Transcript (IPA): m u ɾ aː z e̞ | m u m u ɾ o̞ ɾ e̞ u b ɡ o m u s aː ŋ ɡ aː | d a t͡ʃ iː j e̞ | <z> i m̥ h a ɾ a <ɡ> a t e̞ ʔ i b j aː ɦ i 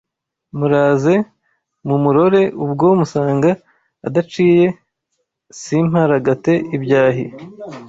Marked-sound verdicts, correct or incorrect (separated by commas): incorrect, correct